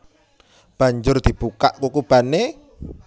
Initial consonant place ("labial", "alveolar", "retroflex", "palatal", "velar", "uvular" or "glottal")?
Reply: labial